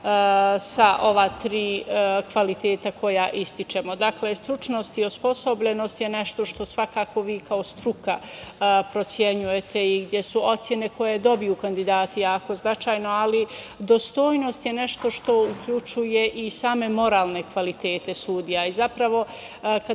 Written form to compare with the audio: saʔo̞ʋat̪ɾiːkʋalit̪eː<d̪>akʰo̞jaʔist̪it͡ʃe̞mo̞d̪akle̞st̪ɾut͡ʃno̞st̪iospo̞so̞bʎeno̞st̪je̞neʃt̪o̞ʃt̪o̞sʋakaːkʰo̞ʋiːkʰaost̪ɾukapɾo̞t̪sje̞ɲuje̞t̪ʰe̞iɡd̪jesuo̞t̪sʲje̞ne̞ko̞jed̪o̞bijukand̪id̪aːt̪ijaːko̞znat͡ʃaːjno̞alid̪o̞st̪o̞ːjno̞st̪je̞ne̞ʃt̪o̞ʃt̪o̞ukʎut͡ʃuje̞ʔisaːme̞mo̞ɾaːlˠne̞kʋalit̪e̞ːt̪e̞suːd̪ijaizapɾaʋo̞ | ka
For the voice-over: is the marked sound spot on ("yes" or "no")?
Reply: no